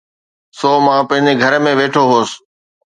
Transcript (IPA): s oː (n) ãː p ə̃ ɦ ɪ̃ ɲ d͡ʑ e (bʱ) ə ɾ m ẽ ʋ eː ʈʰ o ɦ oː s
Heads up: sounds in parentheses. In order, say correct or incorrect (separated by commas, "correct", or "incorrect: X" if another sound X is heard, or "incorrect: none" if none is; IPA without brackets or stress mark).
incorrect: m, incorrect: ɡʱ